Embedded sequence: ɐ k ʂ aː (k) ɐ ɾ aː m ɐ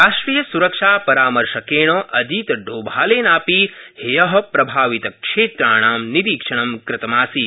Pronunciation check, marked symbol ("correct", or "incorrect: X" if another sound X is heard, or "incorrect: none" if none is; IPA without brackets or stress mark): incorrect: p